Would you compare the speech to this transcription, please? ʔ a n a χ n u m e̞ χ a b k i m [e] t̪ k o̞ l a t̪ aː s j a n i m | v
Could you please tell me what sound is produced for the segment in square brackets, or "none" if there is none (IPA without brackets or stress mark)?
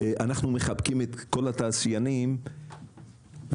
e